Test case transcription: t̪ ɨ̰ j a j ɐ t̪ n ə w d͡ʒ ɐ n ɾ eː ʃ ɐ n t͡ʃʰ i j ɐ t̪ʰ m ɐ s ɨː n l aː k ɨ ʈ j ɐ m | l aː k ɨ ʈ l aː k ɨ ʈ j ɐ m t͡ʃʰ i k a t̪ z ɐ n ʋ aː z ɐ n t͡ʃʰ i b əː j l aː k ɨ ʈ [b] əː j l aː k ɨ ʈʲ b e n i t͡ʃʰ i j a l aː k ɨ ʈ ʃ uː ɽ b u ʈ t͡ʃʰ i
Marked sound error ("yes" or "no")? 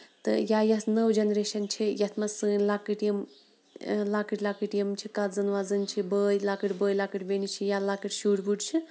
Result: no